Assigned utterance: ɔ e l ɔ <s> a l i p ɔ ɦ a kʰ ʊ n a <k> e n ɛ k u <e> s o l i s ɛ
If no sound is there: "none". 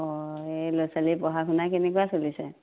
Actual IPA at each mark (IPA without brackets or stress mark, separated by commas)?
s, k, a